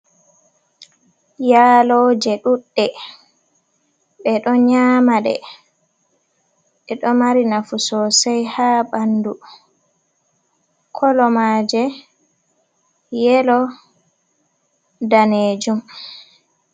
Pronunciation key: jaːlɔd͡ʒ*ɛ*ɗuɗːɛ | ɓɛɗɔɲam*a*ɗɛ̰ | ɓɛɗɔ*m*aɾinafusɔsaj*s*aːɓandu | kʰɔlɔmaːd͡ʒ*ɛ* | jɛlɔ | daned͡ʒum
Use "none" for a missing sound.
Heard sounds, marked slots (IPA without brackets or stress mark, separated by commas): ɛ, a, m, h, ɛ